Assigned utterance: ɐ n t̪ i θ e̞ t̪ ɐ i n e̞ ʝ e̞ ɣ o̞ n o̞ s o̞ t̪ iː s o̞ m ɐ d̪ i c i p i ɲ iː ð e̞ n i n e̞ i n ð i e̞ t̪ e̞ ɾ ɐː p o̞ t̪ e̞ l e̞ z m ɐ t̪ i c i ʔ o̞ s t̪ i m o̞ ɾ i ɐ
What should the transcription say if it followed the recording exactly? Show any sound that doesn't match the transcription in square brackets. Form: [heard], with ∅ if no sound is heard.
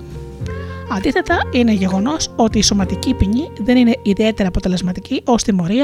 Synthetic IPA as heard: ɐ n [d̪] i θ e̞ t̪ ɐ i n e̞ ʝ e̞ ɣ o̞ n o̞ s o̞ t̪ iː s o̞ m ɐ [t̪] i c i p i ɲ [i] ð e̞ n i n e̞ i [∅] ð i e̞ t̪ e̞ ɾ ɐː p o̞ t̪ e̞ l e̞ z m ɐ t̪ i c i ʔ o̞ s t̪ i m o̞ ɾ i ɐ